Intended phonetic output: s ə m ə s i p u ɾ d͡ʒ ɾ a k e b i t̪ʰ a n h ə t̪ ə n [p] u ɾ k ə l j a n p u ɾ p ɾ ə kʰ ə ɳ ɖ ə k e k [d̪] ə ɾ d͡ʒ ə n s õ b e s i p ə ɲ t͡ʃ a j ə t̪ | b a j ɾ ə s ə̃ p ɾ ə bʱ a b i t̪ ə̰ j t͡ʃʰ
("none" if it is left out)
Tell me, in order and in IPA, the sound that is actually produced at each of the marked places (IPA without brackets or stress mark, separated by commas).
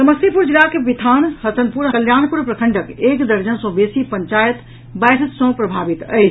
p, d̪